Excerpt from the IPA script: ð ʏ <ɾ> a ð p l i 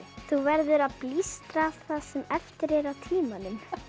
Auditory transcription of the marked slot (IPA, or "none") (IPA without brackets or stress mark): ɾ